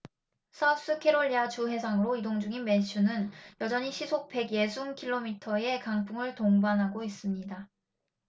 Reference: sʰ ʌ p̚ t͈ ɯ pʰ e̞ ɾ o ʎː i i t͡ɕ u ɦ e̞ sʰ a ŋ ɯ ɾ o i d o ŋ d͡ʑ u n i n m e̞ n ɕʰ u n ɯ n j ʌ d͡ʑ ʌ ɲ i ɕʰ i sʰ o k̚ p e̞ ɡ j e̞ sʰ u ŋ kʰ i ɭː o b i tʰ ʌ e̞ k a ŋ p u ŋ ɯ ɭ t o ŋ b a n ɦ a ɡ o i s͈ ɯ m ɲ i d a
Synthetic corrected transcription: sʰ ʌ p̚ s͈ ɯ kʰ e̞ ɾ o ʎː i a t͡ɕ u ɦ e̞ sʰ a ŋ ɯ ɾ o i d o ŋ d͡ʑ u ŋ i n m e̞ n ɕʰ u n ɯ n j ʌ d͡ʑ ʌ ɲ i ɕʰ i sʰ o k̚ p e̞ ɡ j e̞ sʰ u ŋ kʰ i ɭː o m i tʰ ʌ e̞ k a ŋ pʰ u ŋ ɯ ɭ t o ŋ b a n ɦ a ɡ o i s͈ ɯ m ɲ i d a